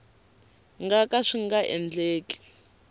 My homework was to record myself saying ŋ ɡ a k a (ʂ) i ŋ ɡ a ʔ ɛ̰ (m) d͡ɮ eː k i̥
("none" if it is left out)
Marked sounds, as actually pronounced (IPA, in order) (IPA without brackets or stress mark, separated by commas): ʂ, n